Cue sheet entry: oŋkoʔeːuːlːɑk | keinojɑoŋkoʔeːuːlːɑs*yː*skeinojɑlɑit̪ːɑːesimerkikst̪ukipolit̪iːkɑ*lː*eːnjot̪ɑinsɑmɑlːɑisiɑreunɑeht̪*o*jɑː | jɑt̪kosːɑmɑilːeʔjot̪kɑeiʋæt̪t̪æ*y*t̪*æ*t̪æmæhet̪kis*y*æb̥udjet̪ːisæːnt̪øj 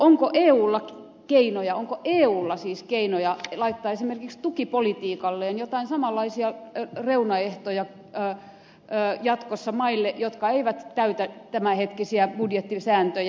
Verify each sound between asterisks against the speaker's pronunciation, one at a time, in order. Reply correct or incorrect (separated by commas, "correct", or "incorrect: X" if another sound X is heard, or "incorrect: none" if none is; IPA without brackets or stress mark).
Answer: incorrect: iː, correct, correct, correct, correct, incorrect: i